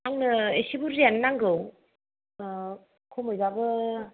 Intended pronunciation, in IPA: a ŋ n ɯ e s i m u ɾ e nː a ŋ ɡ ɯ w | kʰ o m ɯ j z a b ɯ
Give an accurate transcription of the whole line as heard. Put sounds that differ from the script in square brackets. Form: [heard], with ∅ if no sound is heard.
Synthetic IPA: a ŋ n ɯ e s i [b] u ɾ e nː a ŋ ɡ ɯ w | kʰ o m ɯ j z a b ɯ